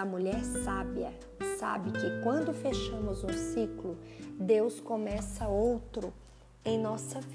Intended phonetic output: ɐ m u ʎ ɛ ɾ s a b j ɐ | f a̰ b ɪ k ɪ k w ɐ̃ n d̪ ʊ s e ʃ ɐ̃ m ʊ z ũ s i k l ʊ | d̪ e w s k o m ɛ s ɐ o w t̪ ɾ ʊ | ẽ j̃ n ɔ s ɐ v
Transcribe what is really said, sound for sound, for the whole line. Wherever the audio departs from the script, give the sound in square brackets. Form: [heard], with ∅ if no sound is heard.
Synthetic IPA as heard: ɐ m u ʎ ɛ ɾ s a b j ɐ | [s] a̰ b ɪ k ɪ k w ɐ̃ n d̪ ʊ [f] e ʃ ɐ̃ m ʊ z ũ s i k l ʊ | d̪ e w s k o m ɛ s ɐ o w t̪ ɾ ʊ | ẽ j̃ n ɔ s ɐ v